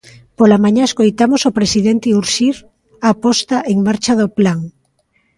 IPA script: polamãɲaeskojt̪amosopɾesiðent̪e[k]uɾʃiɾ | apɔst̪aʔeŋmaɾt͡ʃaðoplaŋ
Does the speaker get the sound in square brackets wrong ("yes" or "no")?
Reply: yes